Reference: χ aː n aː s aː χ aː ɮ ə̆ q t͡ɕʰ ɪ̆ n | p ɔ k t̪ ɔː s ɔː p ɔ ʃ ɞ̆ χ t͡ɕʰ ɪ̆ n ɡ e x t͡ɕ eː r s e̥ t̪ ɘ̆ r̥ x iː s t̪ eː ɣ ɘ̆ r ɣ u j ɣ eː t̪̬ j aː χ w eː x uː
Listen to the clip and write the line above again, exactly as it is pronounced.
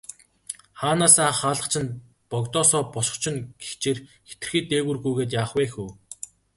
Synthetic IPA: χ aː n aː s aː χ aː ɮ ə̆ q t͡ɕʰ ɪ̆ n | p ɔ k t̪ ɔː s ɔː p ɔ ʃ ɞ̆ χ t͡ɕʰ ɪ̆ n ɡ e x t͡ɕ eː r x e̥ t̪ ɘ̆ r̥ x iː t̪ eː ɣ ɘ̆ r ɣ u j ɣ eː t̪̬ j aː χ w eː x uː